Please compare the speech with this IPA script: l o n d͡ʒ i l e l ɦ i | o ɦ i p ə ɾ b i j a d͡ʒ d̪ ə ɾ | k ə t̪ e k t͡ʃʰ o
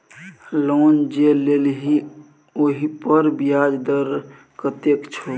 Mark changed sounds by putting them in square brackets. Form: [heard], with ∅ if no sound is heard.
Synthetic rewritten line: l o n d͡ʒ [e] l e l ɦ i | o ɦ i p ə ɾ b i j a d͡ʒ d̪ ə ɾ | k ə t̪ e k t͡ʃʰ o